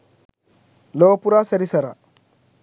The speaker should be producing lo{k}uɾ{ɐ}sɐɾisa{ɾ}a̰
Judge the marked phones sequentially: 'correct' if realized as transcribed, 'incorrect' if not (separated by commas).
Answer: incorrect, incorrect, correct